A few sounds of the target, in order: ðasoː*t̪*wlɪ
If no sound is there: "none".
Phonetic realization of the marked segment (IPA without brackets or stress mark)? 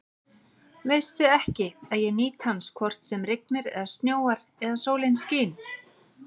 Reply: none